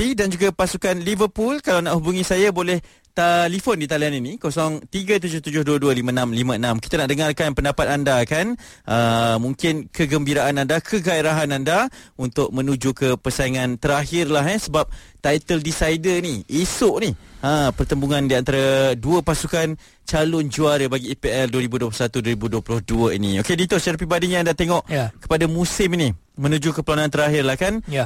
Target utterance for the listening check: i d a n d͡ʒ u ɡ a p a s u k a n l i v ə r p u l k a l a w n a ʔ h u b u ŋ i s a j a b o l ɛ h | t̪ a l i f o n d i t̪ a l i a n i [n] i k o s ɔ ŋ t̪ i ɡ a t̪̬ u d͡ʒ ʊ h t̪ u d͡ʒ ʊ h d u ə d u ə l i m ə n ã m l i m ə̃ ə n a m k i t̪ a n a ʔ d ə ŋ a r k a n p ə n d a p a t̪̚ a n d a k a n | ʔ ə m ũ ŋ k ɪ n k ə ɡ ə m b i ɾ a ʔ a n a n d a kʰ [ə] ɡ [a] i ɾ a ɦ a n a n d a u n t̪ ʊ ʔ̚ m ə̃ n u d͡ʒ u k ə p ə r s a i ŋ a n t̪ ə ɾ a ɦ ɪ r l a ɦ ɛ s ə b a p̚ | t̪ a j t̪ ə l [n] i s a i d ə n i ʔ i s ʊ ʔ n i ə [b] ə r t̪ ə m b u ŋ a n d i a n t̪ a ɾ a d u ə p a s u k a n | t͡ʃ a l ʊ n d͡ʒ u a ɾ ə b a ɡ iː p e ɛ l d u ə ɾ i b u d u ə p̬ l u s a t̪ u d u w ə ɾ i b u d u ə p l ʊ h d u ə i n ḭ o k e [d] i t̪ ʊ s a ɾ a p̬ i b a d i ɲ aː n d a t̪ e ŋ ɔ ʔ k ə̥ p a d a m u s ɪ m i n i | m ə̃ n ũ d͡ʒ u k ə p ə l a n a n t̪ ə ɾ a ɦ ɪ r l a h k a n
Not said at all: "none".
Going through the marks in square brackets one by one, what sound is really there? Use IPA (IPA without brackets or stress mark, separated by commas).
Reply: n, ə, a, d, p, d